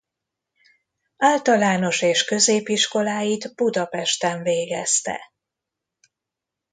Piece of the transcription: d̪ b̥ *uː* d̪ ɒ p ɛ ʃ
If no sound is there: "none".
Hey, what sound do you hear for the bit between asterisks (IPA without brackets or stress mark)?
u